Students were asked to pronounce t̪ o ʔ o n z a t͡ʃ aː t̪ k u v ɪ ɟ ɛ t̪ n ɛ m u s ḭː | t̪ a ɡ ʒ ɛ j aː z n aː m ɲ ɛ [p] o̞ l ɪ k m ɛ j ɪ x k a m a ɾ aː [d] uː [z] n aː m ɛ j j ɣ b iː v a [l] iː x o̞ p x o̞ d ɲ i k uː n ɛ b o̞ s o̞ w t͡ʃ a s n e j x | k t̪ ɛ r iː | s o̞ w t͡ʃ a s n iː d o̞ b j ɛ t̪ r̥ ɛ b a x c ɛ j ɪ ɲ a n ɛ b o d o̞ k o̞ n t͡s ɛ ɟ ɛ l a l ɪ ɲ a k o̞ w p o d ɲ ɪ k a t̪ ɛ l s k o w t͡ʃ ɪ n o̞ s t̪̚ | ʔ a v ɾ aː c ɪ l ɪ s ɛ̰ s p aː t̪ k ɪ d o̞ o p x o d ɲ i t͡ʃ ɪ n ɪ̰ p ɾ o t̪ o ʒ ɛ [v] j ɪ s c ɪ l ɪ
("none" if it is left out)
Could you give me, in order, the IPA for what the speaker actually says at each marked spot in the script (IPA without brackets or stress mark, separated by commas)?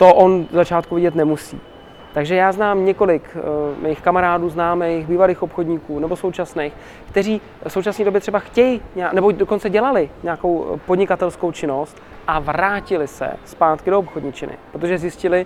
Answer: k, d, z, l, z